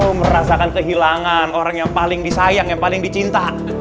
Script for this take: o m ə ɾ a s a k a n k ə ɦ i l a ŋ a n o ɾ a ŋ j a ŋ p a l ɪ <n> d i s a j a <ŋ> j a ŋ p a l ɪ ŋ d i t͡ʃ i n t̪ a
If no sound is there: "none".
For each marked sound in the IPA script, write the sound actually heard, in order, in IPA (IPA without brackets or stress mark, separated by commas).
ŋ, ŋ